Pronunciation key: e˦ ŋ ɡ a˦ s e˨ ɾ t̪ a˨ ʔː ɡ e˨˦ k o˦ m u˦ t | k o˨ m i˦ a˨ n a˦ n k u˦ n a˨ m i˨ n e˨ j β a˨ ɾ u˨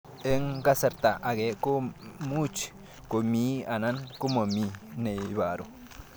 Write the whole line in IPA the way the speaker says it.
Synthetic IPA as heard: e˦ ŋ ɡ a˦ s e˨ ɾ t̪ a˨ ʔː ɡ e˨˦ k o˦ m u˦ t͡ʃ | k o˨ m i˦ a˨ n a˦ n k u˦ m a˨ m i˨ n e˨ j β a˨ ɾ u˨